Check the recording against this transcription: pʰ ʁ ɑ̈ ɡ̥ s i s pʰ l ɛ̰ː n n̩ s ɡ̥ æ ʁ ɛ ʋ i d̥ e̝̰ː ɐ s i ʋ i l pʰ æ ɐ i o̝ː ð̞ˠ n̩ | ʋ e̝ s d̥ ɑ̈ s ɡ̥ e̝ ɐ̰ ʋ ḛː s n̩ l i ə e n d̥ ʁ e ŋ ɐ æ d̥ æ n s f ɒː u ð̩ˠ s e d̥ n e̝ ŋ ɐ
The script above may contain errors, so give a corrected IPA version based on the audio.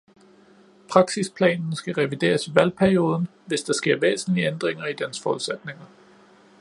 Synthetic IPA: pʰ ʁ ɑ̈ ɡ̥ s i s pʰ l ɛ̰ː n n̩ s ɡ̥ æ ʁ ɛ ʋ i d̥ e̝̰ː ɐ s i ʋ æ l pʰ æ ɐ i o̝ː ð̞ˠ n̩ | ʋ e̝ s d̥ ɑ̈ s ɡ̥ e̝ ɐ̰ ʋ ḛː s n̩ l i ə e n d̥ ʁ e ŋ ɐ i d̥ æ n s f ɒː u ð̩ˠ s e d̥ n e̝ ŋ ɐ